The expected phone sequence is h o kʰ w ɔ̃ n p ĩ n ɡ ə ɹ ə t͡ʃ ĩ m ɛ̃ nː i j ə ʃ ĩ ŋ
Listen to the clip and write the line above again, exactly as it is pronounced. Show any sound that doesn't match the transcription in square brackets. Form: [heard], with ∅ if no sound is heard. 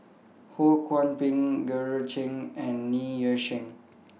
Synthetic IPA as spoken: h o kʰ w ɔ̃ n p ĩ [ŋ] ɡ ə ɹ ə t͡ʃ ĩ [ŋ] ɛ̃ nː i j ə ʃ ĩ ŋ

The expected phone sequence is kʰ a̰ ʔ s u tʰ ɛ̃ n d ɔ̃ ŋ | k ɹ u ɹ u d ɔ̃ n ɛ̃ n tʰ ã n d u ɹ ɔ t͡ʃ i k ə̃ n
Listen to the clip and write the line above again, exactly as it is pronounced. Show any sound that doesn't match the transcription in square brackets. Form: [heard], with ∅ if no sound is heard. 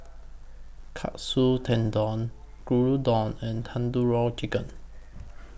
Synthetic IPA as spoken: kʰ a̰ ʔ s u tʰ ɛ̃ n d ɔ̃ [n] | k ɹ u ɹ u d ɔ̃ n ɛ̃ n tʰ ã n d u ɹ ɔ t͡ʃ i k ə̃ n

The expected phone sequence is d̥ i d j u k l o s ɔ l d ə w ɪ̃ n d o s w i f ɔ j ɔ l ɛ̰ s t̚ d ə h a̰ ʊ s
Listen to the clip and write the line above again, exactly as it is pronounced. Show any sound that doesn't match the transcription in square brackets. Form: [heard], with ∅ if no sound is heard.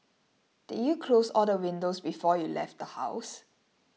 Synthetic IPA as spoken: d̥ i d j u [kʰ] l o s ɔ l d ə w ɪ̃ n d o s [b] i f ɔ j [u] l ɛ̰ [f] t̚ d ə h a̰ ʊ s

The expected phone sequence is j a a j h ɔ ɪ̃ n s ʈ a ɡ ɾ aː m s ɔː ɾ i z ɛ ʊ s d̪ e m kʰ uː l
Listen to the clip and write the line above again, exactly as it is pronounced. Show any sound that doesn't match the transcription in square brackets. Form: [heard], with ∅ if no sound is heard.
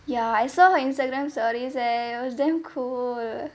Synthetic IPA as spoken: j a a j [s] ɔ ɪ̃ n s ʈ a ɡ ɾ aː m s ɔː ɾ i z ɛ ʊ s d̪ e m kʰ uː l

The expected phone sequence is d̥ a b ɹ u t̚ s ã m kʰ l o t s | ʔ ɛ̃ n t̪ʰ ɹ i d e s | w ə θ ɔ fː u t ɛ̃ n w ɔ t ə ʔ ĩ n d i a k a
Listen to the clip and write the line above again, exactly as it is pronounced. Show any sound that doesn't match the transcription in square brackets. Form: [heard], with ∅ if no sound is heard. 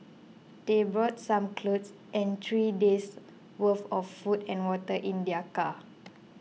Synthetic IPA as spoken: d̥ [e] b ɹ [ɔ] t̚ s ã m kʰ l o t s | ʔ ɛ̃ n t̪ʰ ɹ i d e s | w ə [f] ɔ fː u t ɛ̃ n w ɔ t ə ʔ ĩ n d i a k a

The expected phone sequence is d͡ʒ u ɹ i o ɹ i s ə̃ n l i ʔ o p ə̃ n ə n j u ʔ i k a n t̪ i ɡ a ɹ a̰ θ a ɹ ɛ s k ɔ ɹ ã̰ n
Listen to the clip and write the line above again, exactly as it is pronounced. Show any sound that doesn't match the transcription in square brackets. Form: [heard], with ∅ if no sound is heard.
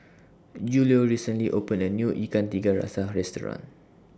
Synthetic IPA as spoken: d͡ʒ u [l] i o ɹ i s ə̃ n l i ʔ o p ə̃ n ə n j u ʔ i k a n t̪ i ɡ a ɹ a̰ [s] a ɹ ɛ s [t] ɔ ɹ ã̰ n

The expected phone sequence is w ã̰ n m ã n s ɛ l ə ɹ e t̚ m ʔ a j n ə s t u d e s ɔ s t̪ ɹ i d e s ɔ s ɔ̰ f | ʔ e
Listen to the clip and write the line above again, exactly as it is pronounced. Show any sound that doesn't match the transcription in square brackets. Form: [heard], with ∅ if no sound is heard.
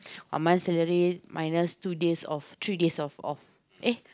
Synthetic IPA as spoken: w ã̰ n m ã n s ɛ l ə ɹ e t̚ m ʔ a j n ə s t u d e s ɔ [f] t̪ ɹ i d e s ɔ [f] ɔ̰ f | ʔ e

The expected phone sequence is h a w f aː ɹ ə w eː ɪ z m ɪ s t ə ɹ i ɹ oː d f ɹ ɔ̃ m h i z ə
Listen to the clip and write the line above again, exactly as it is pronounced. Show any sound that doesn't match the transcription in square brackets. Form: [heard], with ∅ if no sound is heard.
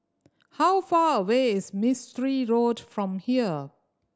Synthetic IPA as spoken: h a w f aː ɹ ə w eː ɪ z m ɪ s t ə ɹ i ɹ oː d f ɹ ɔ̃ m h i [∅] ə

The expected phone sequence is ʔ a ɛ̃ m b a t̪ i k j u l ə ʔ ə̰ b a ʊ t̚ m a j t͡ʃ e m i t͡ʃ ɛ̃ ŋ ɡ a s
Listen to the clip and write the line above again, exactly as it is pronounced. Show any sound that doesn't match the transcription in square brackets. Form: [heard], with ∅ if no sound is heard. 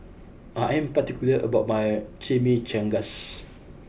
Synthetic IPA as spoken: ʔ a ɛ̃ m [p] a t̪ i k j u l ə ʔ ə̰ b a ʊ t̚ m a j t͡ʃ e m i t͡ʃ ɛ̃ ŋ ɡ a s

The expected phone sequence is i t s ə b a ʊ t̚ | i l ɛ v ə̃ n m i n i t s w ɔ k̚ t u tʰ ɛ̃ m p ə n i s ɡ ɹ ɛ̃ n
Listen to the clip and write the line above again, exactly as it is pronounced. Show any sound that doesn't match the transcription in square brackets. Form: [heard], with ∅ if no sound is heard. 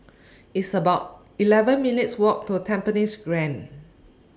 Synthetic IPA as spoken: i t s ə b a ʊ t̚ | i l ɛ v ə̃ n m i n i t s w ɔ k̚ t u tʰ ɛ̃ m p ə n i s ɡ ɹ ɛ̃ n

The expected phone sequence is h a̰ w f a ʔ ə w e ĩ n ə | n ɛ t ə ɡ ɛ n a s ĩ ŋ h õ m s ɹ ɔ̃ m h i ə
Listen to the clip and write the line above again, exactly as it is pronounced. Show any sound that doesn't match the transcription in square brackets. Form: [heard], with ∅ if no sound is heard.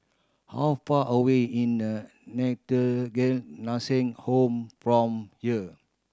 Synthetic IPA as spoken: h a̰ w f a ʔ ə w e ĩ n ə | n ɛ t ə ɡ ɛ n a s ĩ ŋ h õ m [f] ɹ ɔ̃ m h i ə

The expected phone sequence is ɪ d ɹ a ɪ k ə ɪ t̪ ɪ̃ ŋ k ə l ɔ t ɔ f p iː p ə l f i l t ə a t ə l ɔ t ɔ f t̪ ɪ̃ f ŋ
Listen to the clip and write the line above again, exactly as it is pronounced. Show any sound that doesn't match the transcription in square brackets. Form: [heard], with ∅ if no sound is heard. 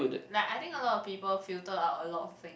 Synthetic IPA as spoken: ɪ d [l] a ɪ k [a] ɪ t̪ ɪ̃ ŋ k ə l ɔ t ɔ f p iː p ə l f i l t ə a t ə l ɔ t ɔ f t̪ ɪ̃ [∅] ŋ

